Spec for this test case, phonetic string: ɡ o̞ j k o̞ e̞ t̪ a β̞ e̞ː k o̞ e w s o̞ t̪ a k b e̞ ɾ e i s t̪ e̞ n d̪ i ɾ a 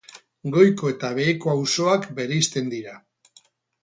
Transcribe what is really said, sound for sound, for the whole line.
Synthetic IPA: ɡ o̞ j k o̞ e̞ t̪ a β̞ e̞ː k o̞ a w s o̞ a k b e̞ ɾ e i s t̪ e̞ n d̪ i ɾ a